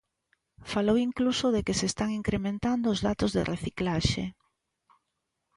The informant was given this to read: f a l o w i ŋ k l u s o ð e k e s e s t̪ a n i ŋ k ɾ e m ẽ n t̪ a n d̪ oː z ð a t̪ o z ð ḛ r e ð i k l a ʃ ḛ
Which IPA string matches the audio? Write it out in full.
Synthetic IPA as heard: f a l o w i ŋ k l u s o ð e k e s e s t̪ a ŋ i ŋ k ɾ e m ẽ n t̪ a n d̪ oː z ð a t̪ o z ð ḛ r e θ i k l a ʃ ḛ